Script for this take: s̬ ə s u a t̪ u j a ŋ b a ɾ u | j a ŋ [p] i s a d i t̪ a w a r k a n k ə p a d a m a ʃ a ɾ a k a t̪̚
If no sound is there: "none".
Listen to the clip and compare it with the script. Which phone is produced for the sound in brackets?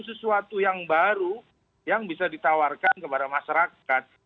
b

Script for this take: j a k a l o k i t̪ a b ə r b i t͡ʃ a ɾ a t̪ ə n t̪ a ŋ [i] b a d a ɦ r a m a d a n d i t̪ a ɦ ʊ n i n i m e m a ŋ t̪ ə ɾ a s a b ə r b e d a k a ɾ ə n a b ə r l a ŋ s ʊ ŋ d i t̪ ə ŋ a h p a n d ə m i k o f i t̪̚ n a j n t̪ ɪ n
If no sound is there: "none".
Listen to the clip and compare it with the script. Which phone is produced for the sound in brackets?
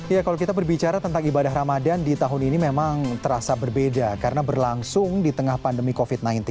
i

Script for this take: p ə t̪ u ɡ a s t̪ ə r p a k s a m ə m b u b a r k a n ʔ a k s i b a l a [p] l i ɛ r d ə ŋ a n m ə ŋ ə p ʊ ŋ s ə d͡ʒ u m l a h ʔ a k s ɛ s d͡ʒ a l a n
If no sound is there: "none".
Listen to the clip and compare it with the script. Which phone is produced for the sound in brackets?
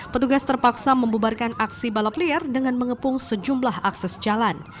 p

